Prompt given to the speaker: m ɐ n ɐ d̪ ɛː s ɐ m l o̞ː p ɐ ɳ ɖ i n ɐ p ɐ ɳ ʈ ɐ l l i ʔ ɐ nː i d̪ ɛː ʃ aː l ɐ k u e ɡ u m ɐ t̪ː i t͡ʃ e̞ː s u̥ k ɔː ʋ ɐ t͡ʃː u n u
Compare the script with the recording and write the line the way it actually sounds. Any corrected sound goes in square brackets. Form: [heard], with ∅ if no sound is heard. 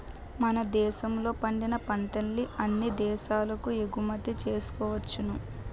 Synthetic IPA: m ɐ n ɐ d̪ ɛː [ʃ] ɐ m l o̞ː p ɐ ɳ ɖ i n ɐ p ɐ ɳ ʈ ɐ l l i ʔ ɐ nː i d̪ ɛː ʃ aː l ɐ k u e ɡ u m ɐ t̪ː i t͡ʃ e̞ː s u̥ k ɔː ʋ ɐ t͡ʃː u n u